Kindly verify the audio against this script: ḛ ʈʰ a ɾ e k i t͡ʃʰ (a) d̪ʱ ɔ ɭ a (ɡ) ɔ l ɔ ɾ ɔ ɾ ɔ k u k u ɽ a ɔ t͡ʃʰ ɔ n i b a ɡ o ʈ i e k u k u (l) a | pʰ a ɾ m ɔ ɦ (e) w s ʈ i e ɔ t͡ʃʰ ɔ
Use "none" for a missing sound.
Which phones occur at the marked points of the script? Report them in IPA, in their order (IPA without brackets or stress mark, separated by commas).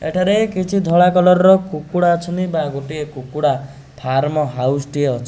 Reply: i, k, ɽ, a